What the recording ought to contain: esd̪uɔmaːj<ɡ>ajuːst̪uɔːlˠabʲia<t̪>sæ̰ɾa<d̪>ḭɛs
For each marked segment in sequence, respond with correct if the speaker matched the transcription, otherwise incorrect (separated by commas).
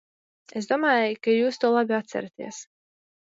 incorrect, correct, incorrect